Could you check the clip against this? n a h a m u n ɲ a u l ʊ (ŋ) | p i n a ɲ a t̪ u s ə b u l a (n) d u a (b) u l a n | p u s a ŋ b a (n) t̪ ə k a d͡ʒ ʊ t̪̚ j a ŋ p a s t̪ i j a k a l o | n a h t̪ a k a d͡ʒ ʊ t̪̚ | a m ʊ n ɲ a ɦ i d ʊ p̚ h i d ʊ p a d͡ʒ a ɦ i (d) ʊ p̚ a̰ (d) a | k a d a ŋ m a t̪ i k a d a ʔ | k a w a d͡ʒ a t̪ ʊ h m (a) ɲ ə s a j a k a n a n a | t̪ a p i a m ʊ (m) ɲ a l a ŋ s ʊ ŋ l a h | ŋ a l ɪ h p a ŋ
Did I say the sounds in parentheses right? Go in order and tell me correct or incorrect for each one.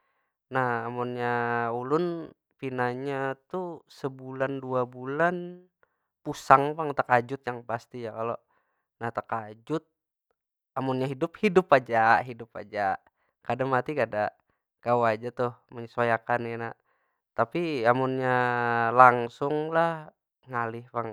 incorrect: n, correct, correct, incorrect: ŋ, correct, incorrect: d͡ʒ, incorrect: ə, incorrect: n

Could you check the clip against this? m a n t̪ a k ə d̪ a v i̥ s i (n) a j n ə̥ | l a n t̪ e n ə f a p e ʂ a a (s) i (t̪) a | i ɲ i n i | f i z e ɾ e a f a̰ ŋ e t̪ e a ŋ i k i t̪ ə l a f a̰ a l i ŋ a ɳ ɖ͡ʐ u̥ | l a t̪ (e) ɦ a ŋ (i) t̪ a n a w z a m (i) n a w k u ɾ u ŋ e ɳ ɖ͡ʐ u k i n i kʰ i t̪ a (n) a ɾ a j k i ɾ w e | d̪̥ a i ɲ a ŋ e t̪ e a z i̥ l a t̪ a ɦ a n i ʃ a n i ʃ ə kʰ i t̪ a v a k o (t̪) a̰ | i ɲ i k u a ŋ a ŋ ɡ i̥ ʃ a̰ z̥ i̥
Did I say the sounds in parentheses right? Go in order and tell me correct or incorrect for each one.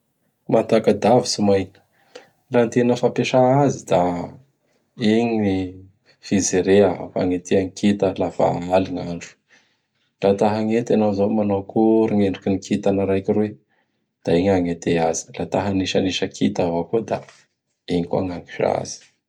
incorrect: m, incorrect: z, incorrect: d̪, incorrect: a, incorrect: e, incorrect: a, correct, incorrect: d̪

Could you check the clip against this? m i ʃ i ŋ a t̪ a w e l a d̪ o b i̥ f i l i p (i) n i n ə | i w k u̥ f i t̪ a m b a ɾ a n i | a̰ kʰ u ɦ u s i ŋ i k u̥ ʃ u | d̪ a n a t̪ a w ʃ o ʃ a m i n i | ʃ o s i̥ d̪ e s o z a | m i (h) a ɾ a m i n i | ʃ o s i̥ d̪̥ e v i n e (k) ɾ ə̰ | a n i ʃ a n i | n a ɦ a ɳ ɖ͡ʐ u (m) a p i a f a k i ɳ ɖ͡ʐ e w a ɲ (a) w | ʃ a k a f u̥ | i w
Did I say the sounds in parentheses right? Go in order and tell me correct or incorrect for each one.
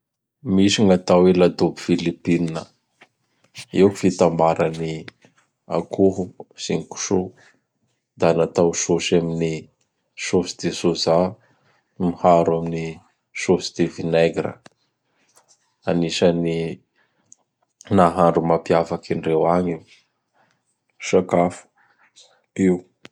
correct, correct, incorrect: ɡ, correct, incorrect: i

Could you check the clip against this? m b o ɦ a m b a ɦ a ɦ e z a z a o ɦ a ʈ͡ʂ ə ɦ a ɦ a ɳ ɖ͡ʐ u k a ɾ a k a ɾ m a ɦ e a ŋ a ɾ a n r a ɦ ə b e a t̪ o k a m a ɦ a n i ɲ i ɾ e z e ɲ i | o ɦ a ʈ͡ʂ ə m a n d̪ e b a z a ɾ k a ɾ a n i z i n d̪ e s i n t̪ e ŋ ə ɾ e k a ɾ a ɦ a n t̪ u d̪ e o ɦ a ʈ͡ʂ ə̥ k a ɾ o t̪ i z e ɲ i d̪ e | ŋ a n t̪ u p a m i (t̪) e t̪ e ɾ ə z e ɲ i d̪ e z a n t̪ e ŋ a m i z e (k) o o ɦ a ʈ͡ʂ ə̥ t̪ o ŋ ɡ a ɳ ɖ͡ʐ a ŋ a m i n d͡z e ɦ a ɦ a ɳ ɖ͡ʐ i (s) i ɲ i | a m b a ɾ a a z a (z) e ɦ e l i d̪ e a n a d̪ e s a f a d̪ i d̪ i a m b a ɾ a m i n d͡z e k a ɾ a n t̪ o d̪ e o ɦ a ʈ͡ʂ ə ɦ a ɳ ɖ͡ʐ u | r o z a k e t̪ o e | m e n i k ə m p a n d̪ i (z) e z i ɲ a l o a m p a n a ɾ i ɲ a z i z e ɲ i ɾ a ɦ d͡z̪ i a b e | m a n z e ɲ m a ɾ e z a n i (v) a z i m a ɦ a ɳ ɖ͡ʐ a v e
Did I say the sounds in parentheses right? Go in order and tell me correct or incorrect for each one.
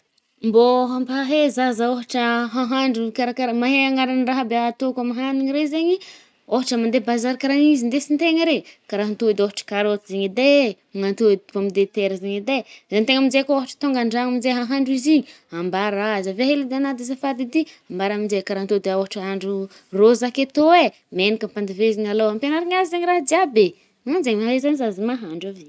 incorrect: d̪, correct, incorrect: z, incorrect: v, incorrect: v, incorrect: z

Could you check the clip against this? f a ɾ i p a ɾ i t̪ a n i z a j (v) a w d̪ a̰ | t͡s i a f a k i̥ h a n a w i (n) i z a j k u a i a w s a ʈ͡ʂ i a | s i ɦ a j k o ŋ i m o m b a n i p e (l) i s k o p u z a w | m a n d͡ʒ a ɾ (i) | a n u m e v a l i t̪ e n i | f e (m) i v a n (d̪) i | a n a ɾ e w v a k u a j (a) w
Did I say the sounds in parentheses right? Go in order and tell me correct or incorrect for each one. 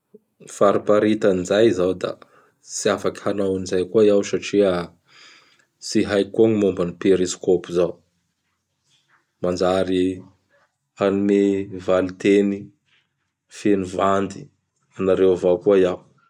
incorrect: z, correct, incorrect: ɾ, correct, incorrect: n, correct, correct

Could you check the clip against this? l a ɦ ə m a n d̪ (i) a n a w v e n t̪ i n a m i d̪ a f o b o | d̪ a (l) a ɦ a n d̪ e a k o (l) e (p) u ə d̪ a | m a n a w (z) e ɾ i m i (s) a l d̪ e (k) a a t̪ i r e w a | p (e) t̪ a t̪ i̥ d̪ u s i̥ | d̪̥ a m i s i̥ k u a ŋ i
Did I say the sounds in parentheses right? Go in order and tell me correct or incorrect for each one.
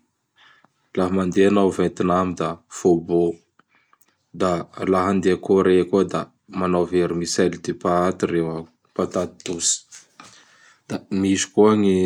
incorrect: e, correct, incorrect: ɾ, incorrect: k, incorrect: v, correct, incorrect: p, incorrect: a

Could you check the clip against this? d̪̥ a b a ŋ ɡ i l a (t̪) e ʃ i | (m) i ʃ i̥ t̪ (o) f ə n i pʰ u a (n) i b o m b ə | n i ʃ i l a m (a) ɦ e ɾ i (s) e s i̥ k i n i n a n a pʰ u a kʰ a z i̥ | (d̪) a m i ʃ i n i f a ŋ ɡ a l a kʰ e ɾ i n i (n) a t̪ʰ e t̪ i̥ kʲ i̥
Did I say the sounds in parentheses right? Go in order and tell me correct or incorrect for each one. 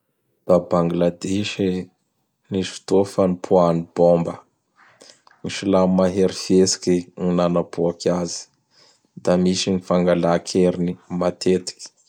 incorrect: d̪, incorrect: n, correct, correct, correct, incorrect: f, correct, incorrect: m

